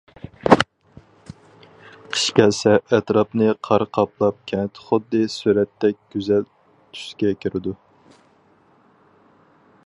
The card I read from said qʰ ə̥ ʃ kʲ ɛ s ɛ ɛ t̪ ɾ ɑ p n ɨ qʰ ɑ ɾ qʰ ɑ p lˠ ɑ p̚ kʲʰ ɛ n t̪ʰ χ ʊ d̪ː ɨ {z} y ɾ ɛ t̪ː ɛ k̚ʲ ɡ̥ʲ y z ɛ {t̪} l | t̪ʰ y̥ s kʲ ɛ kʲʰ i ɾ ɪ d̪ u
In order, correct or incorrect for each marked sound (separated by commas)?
incorrect, incorrect